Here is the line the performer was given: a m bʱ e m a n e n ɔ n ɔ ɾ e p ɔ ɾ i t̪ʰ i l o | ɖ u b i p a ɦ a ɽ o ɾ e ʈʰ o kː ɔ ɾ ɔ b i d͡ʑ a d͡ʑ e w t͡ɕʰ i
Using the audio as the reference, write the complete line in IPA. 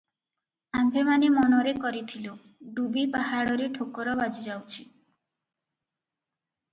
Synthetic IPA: a m bʱ e m a n e m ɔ n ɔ ɾ e k ɔ ɾ i t̪ʰ i l o | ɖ u b i p a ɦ a ɽ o ɾ e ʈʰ o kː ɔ ɾ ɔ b a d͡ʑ i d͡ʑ a w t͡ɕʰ i